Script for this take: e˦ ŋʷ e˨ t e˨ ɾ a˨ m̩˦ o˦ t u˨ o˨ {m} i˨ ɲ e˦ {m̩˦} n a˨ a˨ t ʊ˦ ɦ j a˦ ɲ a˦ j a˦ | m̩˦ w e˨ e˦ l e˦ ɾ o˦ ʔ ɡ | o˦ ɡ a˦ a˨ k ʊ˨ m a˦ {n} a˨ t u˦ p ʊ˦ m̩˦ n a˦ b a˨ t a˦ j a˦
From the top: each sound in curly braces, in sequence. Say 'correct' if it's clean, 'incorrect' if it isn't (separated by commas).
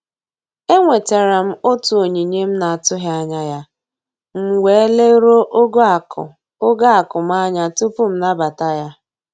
incorrect, correct, incorrect